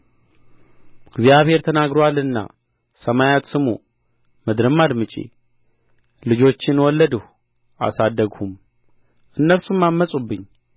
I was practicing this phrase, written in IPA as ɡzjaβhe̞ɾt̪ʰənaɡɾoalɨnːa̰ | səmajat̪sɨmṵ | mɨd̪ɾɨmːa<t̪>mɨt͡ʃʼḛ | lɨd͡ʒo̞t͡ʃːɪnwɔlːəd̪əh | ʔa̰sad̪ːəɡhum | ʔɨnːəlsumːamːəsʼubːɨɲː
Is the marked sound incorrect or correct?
incorrect